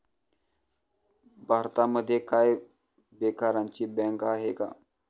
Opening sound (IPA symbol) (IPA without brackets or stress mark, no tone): bʱ